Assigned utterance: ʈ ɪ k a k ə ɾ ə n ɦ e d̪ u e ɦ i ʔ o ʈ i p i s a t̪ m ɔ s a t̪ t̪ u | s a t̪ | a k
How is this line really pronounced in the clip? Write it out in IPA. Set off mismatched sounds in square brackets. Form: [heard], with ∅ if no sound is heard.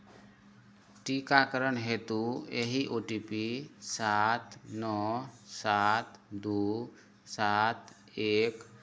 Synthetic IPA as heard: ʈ [i] k a k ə ɾ ə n ɦ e [t̪] u e ɦ i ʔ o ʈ i p i s a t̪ [n] ɔ s a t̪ [d̪] u | s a t̪ | [e] k